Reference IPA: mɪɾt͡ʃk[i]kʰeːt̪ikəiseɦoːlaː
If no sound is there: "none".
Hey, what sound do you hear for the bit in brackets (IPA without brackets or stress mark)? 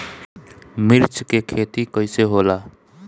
e